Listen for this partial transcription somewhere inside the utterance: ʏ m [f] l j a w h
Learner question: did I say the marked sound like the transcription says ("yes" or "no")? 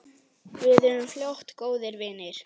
yes